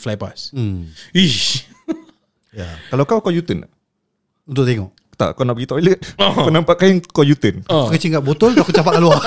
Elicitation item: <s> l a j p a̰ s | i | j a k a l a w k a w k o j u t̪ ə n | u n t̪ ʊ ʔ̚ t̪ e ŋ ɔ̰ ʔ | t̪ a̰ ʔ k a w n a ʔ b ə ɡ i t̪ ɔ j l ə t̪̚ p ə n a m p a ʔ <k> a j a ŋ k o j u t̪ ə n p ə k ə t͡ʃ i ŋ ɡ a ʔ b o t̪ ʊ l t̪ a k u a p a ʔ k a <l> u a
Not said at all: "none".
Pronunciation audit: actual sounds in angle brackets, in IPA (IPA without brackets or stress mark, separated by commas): f, k, l